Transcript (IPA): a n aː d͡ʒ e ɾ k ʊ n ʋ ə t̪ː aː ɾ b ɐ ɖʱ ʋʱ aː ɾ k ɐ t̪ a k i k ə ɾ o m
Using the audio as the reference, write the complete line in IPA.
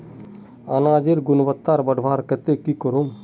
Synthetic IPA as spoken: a n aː d͡ʒ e ɾ ɡ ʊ n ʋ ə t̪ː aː ɾ b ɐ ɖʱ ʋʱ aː ɾ k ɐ t̪ e k i k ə ɾ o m